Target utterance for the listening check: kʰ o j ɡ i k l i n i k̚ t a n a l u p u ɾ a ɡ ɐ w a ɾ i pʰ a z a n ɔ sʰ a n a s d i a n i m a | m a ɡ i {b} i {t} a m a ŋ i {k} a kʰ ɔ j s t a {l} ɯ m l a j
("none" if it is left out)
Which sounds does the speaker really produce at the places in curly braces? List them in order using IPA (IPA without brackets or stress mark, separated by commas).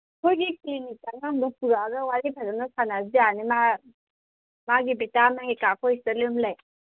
b, t, k, l